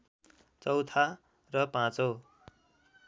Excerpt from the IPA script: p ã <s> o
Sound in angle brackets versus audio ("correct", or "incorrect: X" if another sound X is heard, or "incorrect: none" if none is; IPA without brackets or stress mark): incorrect: t͡s